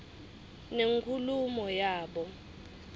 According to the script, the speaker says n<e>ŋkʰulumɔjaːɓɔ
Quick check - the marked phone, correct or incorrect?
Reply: correct